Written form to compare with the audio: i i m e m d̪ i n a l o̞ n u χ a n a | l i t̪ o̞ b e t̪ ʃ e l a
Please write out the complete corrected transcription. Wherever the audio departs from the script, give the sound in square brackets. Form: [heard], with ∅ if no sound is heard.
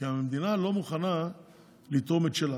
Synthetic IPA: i [a] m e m d̪ i n a l o̞ [m] u χ a n a | l i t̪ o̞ [m] e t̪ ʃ e l a